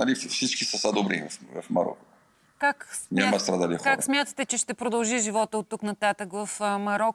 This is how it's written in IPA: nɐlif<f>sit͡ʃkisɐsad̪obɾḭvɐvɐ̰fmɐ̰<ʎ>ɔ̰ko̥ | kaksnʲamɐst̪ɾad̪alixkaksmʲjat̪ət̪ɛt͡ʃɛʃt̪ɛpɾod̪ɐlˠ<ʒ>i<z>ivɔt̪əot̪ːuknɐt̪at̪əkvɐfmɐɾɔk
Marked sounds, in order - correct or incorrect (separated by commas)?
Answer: correct, incorrect, correct, incorrect